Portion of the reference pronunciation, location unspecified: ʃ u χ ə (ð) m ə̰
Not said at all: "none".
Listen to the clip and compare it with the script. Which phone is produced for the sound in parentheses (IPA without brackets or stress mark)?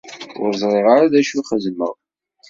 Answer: z